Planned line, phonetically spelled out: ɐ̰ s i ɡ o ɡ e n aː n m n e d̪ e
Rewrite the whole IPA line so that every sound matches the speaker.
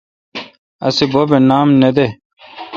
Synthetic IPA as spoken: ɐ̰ s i b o b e n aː m n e d̪ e